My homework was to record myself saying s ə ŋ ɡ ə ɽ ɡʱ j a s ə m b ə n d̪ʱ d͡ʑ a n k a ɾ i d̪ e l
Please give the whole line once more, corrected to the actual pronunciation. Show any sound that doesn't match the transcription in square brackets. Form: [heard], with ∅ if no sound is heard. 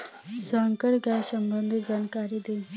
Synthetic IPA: s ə ŋ [k] ə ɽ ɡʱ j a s ə m b ə n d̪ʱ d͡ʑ a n k a ɾ i d̪ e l

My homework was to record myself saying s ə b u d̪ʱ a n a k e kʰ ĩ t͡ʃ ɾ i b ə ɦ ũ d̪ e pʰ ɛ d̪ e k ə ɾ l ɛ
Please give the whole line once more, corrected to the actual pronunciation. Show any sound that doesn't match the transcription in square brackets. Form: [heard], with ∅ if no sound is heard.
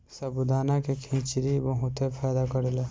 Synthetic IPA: s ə b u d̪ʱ a n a k e kʰ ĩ t͡ʃ ɾ i b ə ɦ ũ [t̪] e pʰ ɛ d̪ [a] k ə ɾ l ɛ

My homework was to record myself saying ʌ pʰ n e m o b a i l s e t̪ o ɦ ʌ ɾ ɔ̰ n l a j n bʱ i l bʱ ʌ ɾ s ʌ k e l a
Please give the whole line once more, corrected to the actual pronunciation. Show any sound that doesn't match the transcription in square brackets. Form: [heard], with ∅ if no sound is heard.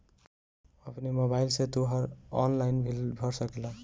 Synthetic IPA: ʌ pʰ n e m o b a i l s e t̪ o ɦ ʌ ɾ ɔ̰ n l a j n bʱ i l bʱ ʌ ɾ s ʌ k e l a

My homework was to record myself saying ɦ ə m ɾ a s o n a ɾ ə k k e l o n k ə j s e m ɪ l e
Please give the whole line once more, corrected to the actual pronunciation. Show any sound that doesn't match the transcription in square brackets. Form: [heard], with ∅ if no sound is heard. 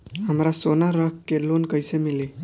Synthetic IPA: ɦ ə m ɾ a s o n a ɾ ə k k e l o n k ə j s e m [i] l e

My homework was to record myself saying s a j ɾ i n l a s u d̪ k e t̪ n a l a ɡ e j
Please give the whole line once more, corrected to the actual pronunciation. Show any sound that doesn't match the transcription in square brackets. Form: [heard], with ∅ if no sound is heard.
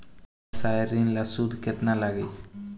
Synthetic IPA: s a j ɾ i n l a s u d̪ k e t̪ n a l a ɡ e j

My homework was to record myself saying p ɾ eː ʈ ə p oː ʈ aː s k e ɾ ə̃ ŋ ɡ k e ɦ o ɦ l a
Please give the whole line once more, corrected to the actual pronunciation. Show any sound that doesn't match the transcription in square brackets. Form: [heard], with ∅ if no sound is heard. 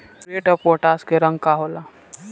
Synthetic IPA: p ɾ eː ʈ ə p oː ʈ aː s k e ɾ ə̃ ŋ ɡ k [a] ɦ o [∅] l a

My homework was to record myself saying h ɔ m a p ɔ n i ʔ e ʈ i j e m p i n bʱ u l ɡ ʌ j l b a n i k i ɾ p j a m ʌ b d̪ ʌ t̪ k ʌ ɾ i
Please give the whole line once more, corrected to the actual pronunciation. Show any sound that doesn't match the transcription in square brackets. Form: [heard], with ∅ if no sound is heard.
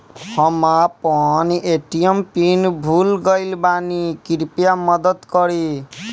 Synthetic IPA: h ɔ m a p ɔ n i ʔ e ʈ i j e m p i n bʱ u l ɡ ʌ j l b a n i k i ɾ p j a m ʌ [∅] d̪ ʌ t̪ k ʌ ɾ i

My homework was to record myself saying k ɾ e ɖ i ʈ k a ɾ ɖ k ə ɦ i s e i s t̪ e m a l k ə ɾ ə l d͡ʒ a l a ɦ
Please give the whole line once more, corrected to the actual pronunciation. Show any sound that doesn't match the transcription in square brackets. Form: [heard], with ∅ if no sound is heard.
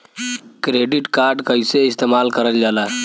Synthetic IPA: k ɾ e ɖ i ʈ k a ɾ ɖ k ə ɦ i s e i s t̪ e m a l k ə ɾ ə l d͡ʒ a l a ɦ

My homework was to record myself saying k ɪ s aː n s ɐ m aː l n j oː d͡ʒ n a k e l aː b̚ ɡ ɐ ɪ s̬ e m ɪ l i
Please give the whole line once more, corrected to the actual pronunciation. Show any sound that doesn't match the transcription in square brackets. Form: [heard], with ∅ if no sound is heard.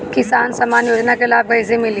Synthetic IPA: k ɪ s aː n s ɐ m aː [∅] n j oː d͡ʒ n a k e l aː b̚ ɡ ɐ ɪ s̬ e m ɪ l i

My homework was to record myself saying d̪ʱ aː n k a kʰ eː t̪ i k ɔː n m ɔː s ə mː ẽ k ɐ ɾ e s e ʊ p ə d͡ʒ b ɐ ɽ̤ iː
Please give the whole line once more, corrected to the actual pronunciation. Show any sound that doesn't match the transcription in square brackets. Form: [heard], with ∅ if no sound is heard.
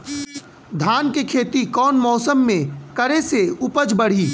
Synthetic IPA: d̪ʱ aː n k [e] kʰ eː t̪ i k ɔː n m ɔː s ə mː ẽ k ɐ ɾ e s e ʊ p ə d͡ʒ b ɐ ɽ̤ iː

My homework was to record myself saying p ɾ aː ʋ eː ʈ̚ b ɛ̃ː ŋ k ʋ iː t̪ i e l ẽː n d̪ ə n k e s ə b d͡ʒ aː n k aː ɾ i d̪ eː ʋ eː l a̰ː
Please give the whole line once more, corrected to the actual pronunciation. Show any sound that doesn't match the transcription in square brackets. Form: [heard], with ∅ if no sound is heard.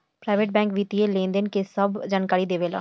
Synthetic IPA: p ɾ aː ʋ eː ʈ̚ b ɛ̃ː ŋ k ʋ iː t̪ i e l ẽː n d̪ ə n k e s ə b d͡ʒ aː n k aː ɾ i d̪ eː ʋ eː l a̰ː

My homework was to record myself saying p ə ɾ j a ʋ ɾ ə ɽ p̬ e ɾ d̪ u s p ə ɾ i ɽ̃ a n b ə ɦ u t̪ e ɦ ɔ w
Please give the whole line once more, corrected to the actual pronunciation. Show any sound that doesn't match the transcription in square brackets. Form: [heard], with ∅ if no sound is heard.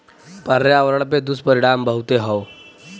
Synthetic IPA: p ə ɾ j a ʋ ɾ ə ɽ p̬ e [∅] d̪ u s p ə ɾ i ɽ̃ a [m] b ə ɦ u t̪ e ɦ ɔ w

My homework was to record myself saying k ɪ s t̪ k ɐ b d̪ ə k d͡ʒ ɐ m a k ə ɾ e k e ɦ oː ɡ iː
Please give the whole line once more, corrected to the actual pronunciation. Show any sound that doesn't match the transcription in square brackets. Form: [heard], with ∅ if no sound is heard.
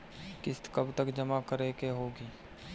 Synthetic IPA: k ɪ s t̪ k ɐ b [t̪] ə k d͡ʒ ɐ m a k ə ɾ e k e ɦ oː ɡ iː

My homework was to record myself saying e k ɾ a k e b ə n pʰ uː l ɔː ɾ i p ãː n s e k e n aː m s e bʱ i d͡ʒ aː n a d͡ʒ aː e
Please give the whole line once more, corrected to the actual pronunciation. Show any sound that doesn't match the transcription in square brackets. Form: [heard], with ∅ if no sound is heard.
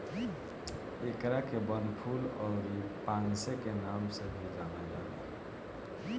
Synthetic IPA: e k ɾ a k e b ə n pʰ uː l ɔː ɾ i p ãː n s e k e n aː m s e bʱ i d͡ʒ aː n a d͡ʒ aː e

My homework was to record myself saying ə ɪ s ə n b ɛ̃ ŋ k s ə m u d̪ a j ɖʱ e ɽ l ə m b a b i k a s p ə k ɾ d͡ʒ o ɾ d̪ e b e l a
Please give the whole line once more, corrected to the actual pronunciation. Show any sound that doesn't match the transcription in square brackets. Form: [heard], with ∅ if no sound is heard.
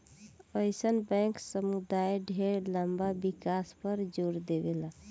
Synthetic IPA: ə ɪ s ə n b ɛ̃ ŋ k s ə m u d̪ a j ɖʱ e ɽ l ə m b a b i k a s p ə [∅] ɾ d͡ʒ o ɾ d̪ e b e l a

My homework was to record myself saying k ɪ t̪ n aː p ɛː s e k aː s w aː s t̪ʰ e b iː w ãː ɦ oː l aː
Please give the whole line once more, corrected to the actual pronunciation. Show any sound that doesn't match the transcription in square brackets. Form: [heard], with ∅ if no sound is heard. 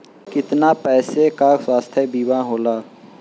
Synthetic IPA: k ɪ t̪ n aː p ɛː s e k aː s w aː s t̪ʰ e b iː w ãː ɦ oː l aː

